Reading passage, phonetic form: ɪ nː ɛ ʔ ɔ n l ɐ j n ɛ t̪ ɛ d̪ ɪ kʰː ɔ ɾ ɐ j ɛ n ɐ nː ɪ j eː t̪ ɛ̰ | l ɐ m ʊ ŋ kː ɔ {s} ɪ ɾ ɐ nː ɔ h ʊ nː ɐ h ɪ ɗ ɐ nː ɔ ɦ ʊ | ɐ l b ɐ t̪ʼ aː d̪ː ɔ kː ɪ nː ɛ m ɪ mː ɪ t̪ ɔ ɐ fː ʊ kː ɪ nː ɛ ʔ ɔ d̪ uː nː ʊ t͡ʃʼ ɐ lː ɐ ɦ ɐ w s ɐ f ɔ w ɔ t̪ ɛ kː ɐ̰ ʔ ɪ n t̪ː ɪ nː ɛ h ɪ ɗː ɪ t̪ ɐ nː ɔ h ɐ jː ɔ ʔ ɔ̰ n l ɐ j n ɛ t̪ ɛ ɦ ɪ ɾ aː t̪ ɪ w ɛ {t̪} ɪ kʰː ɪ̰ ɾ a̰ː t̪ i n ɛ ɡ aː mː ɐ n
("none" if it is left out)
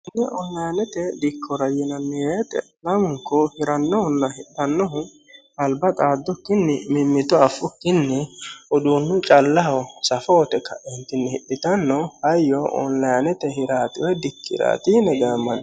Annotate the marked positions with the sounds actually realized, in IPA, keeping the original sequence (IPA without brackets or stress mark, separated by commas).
h, d̪